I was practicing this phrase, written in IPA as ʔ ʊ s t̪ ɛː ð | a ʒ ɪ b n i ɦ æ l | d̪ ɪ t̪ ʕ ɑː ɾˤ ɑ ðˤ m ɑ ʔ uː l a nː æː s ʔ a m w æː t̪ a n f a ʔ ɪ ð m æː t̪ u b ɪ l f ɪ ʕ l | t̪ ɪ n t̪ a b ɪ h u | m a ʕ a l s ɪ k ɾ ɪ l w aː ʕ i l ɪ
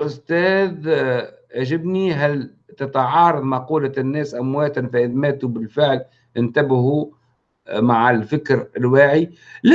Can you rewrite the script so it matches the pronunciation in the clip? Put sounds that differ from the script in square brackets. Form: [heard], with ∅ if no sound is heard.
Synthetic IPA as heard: ʔ ʊ s t̪ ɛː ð | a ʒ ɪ b n i ɦ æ l | [t̪] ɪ t̪ ʕ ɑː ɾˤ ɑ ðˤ m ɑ [q] uː l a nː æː s ʔ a m w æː t̪ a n f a ʔ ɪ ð m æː t̪ u b ɪ l f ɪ ʕ l | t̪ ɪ n t̪ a b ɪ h u | m a ʕ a l [f] ɪ k ɾ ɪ l w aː ʕ i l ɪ

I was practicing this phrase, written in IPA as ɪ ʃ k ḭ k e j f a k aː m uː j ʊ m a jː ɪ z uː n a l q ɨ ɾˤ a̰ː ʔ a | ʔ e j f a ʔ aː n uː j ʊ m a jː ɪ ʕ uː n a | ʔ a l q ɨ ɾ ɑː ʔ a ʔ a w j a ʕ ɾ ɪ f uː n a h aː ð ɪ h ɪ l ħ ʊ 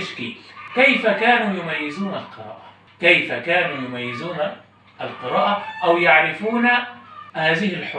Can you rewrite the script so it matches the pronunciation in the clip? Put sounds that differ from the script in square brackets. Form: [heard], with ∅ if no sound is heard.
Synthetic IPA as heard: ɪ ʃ k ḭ k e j f a k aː [n] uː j ʊ m a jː ɪ z uː n a l q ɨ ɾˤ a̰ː ʔ a | [k] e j f a [k] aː n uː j ʊ m a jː ɪ [z] uː n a | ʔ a l q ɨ ɾ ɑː ʔ a ʔ a w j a ʕ ɾ ɪ f uː n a h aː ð ɪ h ɪ l ħ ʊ

